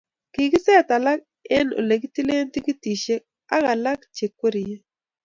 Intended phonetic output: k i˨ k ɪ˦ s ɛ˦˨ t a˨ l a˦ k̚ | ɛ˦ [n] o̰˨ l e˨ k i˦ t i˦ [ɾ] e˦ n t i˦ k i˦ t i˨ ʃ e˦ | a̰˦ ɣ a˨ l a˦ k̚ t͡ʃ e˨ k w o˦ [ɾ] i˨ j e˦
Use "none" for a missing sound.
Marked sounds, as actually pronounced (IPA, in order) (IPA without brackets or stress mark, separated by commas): n, l, ɾ